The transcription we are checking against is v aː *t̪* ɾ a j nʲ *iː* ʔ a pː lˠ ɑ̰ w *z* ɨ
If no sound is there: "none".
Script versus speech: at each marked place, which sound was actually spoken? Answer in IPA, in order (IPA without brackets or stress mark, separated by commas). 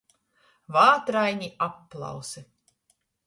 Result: t̪, i, s